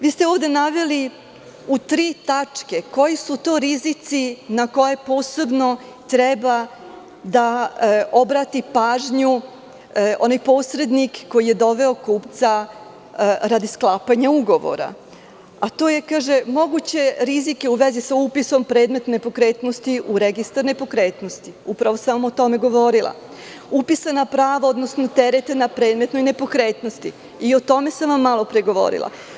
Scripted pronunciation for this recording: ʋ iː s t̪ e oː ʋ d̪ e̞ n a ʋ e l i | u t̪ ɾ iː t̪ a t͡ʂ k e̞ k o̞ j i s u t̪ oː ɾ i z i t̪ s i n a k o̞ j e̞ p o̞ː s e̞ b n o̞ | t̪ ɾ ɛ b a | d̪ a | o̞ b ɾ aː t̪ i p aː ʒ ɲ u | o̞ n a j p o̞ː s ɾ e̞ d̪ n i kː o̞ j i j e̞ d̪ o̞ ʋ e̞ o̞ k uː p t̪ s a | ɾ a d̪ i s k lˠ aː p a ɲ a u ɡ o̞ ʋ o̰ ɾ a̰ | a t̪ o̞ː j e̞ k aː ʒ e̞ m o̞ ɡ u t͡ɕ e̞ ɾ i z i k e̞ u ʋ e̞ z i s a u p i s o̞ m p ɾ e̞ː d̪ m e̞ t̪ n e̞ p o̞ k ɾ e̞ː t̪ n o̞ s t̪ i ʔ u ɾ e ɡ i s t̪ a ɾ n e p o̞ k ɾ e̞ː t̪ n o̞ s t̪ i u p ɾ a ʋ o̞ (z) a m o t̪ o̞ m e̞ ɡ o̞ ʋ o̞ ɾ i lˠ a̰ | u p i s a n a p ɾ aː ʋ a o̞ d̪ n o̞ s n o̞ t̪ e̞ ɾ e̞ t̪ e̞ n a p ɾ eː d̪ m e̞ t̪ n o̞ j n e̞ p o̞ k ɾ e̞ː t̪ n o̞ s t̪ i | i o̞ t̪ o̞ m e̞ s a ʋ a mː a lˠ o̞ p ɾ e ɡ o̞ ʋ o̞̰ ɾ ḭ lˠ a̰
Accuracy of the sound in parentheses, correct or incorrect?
incorrect: s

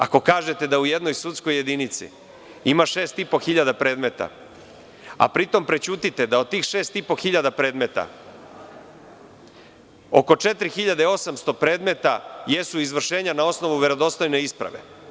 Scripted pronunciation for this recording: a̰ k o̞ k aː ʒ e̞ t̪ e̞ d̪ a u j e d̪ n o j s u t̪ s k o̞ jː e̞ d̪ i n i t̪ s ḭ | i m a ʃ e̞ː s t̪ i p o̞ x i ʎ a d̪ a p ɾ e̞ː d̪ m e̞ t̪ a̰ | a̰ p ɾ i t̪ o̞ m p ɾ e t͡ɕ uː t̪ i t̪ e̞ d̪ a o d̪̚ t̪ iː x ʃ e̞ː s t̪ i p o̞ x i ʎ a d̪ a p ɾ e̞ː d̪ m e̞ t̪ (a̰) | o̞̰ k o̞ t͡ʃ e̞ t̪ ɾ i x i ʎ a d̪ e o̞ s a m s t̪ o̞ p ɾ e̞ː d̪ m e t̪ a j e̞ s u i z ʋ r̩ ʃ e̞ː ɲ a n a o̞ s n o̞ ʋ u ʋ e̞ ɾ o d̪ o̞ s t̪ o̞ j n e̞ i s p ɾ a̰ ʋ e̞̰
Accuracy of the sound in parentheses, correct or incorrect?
correct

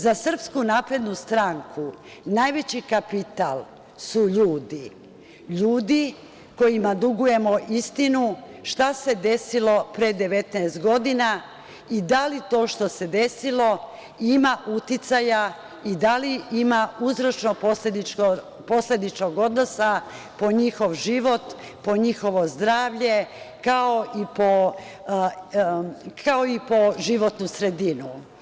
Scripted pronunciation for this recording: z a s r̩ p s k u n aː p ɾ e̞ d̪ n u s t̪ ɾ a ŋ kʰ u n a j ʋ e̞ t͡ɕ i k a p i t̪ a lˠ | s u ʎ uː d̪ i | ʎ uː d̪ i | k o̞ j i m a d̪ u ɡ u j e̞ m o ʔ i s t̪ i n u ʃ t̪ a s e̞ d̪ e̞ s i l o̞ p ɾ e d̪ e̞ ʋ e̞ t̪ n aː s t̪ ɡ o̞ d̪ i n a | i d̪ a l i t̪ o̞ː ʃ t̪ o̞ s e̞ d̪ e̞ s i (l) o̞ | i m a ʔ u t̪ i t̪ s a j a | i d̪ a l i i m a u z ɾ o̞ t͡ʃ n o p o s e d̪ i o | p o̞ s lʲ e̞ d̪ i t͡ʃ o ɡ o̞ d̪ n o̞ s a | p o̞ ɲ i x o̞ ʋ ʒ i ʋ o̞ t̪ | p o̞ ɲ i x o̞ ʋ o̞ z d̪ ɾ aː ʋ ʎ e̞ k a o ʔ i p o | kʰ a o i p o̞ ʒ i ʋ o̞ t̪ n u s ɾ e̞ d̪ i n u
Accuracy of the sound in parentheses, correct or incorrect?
correct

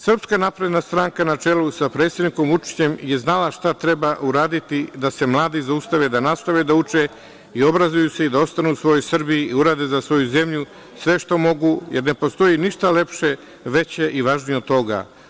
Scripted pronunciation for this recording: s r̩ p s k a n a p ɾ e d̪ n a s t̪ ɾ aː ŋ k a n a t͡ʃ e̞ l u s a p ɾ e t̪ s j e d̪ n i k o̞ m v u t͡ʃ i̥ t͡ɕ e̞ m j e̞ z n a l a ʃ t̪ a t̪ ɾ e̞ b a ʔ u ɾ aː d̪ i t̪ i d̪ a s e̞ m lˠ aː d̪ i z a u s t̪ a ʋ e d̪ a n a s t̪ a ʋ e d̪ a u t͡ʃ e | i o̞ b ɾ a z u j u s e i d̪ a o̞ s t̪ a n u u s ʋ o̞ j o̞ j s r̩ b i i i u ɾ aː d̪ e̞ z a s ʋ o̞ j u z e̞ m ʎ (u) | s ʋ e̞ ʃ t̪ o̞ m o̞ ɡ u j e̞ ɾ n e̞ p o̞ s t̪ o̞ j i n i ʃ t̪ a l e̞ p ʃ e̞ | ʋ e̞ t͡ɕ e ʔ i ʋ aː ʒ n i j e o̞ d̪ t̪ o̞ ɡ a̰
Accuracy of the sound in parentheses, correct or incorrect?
correct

